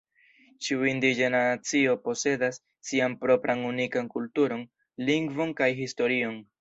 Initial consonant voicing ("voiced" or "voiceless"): voiceless